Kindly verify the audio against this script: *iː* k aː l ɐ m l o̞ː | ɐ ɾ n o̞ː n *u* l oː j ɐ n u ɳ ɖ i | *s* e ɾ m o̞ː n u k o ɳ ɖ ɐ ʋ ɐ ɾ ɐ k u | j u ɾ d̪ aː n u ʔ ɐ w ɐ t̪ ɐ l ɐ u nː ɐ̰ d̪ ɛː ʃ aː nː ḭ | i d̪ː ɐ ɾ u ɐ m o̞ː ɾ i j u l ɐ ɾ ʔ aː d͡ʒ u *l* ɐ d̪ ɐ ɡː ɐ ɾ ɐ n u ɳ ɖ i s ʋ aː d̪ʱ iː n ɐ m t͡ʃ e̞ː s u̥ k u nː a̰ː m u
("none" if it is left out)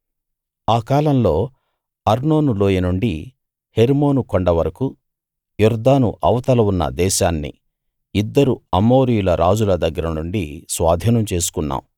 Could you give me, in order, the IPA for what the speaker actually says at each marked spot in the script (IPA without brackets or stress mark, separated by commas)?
aː, u, h, l